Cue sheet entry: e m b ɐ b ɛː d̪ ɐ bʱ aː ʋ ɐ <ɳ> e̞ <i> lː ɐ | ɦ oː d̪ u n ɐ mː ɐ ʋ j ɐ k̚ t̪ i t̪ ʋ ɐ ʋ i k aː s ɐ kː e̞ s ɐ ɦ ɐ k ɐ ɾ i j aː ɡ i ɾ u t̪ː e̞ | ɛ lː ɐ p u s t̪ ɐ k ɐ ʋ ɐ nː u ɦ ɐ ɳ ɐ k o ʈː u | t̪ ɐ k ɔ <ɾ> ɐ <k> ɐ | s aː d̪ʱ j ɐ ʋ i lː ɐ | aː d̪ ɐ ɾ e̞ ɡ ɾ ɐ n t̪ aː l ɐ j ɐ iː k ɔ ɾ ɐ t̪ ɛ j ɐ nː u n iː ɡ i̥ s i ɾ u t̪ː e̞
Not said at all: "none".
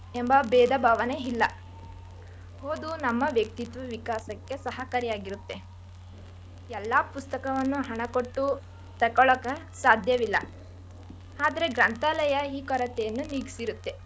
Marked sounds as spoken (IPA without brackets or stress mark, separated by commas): n, i, ɭ, k